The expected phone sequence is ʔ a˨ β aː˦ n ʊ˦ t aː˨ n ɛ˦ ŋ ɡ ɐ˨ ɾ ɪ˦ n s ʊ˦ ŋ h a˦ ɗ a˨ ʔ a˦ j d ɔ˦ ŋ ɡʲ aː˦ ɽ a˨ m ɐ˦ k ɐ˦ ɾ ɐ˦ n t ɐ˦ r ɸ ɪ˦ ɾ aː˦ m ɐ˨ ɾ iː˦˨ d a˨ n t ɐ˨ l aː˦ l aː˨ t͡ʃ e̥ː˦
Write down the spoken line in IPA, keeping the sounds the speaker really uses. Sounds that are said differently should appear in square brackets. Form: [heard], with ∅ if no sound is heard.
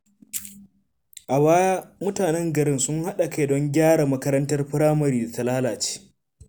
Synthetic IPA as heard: ʔ a˨ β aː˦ [m] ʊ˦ t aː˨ n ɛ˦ ŋ ɡ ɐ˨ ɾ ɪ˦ n s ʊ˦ ŋ h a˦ ɗ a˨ [k] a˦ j d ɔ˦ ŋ ɡʲ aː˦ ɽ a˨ m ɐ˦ k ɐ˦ ɾ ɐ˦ n t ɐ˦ r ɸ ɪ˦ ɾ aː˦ m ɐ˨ ɾ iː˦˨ d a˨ [∅] t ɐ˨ l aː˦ l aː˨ t͡ʃ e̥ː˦